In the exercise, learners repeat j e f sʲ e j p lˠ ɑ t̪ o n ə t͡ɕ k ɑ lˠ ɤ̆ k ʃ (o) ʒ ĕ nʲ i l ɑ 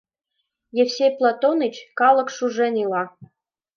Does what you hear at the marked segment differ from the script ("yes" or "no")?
yes